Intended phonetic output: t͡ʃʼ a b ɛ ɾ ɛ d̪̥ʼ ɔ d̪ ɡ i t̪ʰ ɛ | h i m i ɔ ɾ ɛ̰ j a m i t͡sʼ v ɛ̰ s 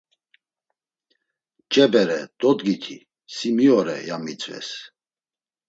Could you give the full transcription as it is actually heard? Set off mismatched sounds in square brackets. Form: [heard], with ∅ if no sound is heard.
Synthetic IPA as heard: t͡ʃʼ [ɛ] b ɛ ɾ ɛ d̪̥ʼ ɔ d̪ ɡ i t̪ʰ [i] | [s] i m i ɔ ɾ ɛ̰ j a m i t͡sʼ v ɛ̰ s